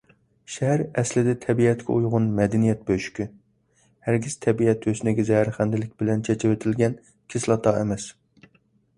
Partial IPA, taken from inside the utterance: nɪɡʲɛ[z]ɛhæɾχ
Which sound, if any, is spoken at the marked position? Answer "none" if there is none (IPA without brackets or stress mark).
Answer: z